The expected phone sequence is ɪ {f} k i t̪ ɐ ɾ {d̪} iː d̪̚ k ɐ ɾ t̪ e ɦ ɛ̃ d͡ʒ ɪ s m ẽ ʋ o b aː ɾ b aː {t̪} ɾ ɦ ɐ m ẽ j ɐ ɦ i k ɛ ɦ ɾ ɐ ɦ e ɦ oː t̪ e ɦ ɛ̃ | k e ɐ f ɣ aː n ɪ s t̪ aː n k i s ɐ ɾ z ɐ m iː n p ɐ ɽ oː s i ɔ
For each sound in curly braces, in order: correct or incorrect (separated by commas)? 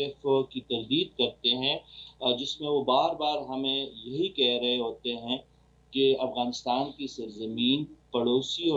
correct, correct, incorrect